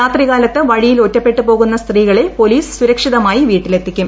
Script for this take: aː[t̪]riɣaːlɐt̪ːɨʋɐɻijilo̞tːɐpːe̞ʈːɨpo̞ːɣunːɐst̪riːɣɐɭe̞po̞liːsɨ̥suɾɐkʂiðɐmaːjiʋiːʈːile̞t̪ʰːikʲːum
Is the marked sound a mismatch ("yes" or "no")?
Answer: no